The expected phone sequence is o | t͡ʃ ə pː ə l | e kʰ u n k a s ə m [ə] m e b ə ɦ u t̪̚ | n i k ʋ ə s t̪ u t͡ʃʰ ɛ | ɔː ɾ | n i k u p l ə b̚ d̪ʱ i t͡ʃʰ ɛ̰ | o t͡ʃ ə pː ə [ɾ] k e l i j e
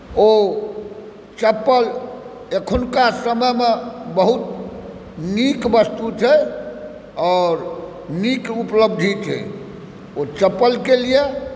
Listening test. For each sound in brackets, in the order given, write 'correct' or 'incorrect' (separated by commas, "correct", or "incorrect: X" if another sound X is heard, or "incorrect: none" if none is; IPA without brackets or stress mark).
correct, incorrect: l